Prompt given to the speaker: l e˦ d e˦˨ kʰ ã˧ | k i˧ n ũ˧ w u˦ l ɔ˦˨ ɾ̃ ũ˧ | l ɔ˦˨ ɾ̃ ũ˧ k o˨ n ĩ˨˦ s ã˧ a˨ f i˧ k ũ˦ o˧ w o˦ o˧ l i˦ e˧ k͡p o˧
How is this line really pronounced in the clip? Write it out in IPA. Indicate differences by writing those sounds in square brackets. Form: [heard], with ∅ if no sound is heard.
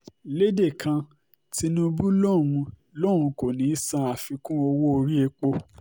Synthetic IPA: l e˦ d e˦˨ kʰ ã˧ | [t] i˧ n ũ˧ [b] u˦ l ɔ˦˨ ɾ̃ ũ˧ | l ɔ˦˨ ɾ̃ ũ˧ k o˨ n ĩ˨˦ s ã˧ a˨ f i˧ k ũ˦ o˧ w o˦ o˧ [ɾ] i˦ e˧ k͡p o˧